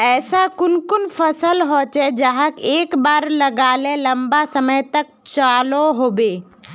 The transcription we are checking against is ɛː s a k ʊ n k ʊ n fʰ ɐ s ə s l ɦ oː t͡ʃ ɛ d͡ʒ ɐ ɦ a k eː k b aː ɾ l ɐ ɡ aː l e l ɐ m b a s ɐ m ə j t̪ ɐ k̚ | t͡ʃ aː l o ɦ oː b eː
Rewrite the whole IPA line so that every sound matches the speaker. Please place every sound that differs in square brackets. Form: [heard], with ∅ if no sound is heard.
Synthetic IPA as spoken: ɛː s a k ʊ n k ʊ n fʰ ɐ s ə [∅] l ɦ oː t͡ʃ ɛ d͡ʒ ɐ ɦ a k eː k b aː ɾ l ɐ ɡ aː l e l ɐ m b a s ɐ m ə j t̪ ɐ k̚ | t͡ʃ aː l o ɦ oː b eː

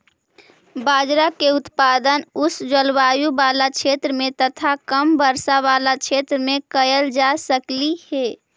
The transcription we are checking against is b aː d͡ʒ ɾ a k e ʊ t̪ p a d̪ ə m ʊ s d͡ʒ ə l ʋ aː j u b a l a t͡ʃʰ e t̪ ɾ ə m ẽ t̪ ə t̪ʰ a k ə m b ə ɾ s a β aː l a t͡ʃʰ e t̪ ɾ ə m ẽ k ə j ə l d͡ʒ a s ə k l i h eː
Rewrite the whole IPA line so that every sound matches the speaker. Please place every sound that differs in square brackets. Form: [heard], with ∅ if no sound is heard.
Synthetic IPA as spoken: b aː d͡ʒ ɾ a k e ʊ t̪ p a d̪ ə [n] ʊ s d͡ʒ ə l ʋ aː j u b a l a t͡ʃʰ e t̪ ɾ ə m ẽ t̪ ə t̪ʰ a k ə m b ə ɾ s a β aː l a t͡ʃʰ e t̪ ɾ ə m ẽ k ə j ə l d͡ʒ a s ə k l i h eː

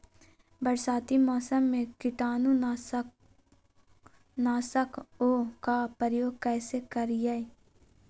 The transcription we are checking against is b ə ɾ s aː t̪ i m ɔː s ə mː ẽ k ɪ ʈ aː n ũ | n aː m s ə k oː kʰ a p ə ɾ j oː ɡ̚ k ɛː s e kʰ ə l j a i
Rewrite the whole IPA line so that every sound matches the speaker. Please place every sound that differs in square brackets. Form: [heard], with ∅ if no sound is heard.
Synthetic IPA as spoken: b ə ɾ s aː t̪ i m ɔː s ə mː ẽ k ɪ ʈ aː n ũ | n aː [∅] s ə k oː [k] a p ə ɾ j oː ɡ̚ k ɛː s e [k] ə [ɾ] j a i

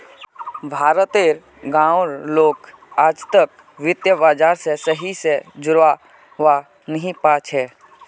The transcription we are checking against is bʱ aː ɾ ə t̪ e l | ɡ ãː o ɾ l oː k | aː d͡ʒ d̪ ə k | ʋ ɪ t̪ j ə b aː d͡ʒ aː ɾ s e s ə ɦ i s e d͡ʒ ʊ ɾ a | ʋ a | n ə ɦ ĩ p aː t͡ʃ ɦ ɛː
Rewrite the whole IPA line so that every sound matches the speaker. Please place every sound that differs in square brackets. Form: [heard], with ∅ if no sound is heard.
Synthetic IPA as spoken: bʱ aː ɾ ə t̪ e [ɾ] | ɡ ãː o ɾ l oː k | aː d͡ʒ [t̪] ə k | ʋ ɪ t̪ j ə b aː d͡ʒ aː ɾ s e s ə ɦ i s e d͡ʒ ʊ ɾ a | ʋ a | n ə ɦ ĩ p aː t͡ʃ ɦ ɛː

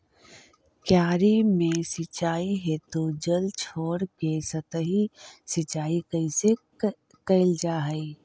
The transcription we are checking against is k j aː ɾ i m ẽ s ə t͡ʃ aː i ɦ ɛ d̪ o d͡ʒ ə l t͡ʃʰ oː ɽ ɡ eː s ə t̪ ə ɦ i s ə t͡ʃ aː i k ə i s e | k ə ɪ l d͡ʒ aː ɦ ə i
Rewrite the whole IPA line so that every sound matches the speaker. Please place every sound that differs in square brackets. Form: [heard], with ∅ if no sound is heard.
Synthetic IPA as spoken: k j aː ɾ i m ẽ s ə t͡ʃ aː i ɦ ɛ [t̪] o d͡ʒ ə l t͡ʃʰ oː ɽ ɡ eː s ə t̪ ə ɦ i s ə t͡ʃ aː i k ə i s e | k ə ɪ l d͡ʒ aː ɦ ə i

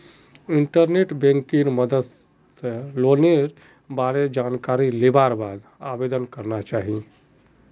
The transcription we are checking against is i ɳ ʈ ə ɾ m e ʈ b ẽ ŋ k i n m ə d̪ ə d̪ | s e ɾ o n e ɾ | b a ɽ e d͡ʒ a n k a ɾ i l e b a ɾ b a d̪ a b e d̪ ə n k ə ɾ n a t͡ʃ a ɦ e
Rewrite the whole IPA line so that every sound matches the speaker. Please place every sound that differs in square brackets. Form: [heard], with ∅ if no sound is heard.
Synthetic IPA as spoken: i ɳ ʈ ə ɾ [n] e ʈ b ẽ ŋ k i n m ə d̪ ə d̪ | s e [l] o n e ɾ | b a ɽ e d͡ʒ a n k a ɾ i l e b a ɾ b a d̪ a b e d̪ ə n k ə ɾ n a t͡ʃ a ɦ [i]

